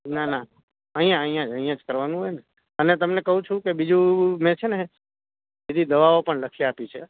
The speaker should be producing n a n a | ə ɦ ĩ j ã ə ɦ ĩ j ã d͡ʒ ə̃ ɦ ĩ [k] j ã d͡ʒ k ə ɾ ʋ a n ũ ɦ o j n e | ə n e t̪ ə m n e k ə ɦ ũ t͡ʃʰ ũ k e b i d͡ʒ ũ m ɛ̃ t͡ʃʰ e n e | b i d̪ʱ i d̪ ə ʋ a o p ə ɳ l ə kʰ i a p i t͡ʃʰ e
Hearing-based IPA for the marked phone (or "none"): none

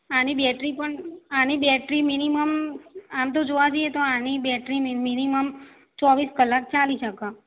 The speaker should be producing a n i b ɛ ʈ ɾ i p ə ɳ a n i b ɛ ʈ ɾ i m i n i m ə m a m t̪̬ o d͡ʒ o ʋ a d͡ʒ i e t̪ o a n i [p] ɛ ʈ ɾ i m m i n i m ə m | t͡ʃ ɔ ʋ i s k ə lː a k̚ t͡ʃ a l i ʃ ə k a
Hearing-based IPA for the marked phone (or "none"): b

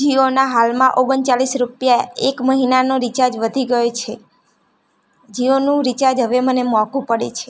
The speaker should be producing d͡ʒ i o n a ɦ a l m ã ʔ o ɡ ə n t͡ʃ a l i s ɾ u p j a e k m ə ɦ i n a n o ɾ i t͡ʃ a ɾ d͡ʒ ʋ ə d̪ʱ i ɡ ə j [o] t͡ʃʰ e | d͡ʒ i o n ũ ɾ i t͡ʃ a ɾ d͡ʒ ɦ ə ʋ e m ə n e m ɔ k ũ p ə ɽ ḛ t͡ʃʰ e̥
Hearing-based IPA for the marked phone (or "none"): o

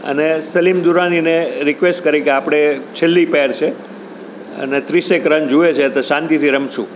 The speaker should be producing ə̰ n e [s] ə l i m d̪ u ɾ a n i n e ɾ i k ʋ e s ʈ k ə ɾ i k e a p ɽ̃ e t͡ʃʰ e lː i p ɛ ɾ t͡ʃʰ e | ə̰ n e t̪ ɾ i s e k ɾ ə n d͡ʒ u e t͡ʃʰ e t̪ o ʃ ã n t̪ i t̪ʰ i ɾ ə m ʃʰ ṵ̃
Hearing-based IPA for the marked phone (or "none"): s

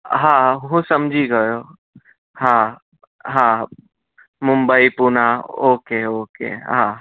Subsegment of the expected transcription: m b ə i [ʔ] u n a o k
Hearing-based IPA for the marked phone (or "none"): p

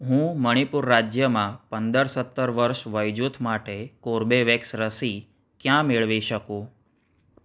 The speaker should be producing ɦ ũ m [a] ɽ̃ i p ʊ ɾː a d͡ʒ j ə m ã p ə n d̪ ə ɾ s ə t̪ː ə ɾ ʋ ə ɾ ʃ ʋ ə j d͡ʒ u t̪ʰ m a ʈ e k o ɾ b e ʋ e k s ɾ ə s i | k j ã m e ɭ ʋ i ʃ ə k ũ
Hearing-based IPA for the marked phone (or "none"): ə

